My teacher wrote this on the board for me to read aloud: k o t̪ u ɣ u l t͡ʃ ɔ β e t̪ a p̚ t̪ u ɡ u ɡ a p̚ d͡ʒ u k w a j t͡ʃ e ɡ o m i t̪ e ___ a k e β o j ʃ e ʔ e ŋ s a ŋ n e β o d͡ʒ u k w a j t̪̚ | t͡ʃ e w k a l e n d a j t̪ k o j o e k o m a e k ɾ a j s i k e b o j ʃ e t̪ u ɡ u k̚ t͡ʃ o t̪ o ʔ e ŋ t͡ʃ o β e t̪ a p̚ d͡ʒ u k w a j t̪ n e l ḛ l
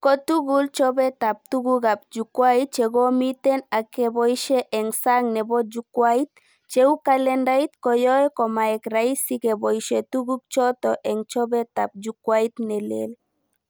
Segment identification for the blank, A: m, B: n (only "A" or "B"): B